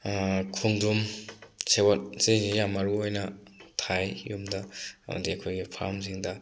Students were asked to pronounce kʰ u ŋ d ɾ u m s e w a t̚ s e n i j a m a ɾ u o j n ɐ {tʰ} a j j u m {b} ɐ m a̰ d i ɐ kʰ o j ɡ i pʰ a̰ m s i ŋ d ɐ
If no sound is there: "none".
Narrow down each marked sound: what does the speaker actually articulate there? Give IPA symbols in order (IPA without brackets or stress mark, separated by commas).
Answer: tʰ, d